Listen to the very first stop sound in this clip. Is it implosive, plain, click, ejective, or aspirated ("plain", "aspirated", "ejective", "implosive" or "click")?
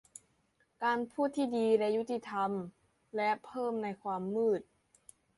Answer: plain